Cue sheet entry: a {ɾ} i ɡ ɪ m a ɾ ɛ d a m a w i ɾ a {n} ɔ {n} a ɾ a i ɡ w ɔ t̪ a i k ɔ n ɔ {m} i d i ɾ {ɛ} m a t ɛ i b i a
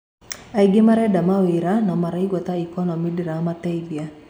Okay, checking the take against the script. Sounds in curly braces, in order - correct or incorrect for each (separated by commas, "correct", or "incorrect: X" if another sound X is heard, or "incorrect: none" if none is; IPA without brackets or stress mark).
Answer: incorrect: none, correct, incorrect: m, correct, incorrect: a